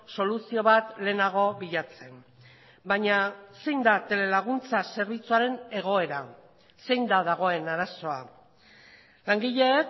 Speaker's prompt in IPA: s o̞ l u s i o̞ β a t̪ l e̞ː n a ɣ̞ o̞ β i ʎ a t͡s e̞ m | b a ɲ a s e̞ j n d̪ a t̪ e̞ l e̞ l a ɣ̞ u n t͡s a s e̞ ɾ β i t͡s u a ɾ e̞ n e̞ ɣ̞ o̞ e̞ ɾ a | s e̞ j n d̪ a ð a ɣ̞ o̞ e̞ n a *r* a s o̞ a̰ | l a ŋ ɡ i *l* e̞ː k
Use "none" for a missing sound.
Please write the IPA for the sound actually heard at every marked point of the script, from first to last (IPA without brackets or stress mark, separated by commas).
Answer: ɾ, ʎ